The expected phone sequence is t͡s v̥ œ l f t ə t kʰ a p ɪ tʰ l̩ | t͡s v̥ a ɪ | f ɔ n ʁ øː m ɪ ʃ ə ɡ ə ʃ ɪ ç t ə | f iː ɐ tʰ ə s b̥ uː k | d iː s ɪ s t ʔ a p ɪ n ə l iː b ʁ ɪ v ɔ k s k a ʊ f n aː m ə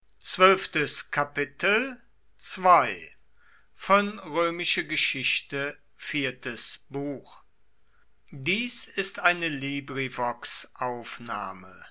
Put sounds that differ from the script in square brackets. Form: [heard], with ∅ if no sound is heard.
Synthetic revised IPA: t͡s v̥ œ l f t ə [s] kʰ a p ɪ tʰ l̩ | t͡s v̥ a ɪ | f ɔ n ʁ øː m ɪ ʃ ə ɡ ə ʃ ɪ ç t ə | f iː ɐ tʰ ə s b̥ uː [x] | d iː s ɪ s t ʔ a [∅] ɪ n ə l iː b ʁ [i] v ɔ k s [ʔ] a ʊ f n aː m ə